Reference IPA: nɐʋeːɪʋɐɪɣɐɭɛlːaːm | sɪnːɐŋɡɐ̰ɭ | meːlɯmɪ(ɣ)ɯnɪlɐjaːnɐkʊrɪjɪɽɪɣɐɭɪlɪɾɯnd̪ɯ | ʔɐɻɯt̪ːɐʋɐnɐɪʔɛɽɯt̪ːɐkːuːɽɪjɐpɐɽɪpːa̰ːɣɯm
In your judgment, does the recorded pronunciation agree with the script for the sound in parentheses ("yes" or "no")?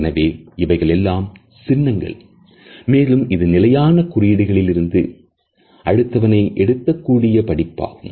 no